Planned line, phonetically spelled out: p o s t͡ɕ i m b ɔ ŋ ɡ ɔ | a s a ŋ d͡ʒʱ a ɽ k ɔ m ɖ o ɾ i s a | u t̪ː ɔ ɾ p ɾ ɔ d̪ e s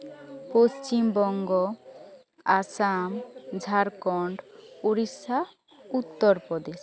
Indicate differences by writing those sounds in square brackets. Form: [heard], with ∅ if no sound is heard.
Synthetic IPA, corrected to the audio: p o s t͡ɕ i m b ɔ ŋ ɡ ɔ | a s a [m] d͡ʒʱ a [ɾ] k ɔ [ɳ] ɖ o ɾ i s a | u t̪ː ɔ ɾ p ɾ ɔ d̪ e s